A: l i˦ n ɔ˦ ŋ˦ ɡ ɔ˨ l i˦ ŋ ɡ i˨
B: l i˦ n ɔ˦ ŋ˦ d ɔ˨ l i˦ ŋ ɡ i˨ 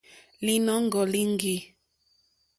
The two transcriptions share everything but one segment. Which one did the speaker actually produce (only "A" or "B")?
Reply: A